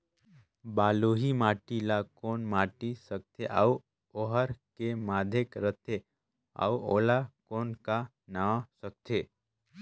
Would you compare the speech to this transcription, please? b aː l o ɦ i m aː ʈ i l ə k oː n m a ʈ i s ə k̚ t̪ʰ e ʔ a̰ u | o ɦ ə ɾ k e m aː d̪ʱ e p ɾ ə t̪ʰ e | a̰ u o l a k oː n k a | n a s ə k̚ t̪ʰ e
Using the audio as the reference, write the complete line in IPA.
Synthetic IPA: b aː l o ɦ i m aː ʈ i l a k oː n m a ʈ i s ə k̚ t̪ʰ e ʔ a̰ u | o ɦ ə ɾ k e m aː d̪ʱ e k ɾ ə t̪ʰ e | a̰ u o l a k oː n k a | n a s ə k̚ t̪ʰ e